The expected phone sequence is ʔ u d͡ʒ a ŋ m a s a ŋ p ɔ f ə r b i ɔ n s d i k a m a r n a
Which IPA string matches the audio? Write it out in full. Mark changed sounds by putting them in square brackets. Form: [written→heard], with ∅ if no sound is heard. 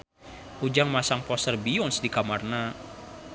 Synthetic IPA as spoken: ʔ u d͡ʒ a ŋ m a s a ŋ p ɔ [f→s] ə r b i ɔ n s d i k a m a r n a